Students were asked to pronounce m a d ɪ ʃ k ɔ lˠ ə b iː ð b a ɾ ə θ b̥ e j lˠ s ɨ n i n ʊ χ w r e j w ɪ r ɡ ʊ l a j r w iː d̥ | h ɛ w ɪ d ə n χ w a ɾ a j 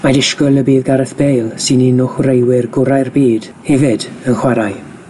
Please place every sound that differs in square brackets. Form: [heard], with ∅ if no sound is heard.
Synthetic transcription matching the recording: m a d ɪ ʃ k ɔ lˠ ə b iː ð [ɡ] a ɾ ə θ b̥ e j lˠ s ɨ n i n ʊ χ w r e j w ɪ r ɡ ʊ [ɾ] a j r [b] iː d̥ | h ɛ [v] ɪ d ə n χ w a ɾ a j

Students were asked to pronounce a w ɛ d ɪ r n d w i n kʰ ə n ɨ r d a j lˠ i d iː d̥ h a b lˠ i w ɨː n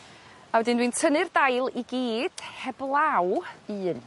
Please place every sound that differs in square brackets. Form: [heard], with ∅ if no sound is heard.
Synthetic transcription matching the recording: a w ɛ d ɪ [∅] n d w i n [tʰ] ə n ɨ r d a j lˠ i [ɡ] iː d̥ h [ɛ] b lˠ [a] w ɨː n

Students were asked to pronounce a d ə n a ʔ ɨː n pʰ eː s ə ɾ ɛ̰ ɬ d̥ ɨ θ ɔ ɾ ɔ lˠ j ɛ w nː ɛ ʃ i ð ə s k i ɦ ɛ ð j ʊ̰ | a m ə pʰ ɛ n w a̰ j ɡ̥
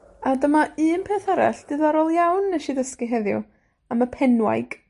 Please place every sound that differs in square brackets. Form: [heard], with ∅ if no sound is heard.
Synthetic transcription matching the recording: a d ə [m] a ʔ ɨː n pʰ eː [θ] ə ɾ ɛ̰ ɬ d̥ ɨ [ð] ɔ ɾ ɔ lˠ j [a] w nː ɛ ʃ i ð ə s k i ɦ ɛ ð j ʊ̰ | a m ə pʰ ɛ n w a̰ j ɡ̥

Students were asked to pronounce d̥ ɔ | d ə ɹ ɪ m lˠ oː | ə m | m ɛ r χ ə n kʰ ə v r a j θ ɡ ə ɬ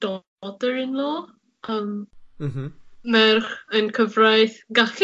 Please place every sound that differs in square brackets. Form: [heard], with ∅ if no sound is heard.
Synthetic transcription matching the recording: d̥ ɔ | d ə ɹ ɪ [n] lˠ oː | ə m | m ɛ r χ ə n kʰ ə v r a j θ ɡ [a] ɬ

